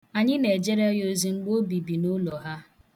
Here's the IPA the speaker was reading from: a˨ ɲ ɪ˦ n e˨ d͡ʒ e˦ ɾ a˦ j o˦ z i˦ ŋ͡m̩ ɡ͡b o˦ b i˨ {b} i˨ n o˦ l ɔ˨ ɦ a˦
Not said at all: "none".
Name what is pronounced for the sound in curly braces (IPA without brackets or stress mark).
b